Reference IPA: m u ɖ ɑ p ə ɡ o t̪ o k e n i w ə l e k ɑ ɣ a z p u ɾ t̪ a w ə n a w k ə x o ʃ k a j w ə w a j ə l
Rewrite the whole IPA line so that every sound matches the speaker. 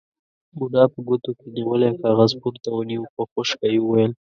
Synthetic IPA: m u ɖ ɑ p ə ɡ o t̪ o k e n i w ə l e k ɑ ɣ a z p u ɾ t̪ a w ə n i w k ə x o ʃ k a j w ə w a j ə l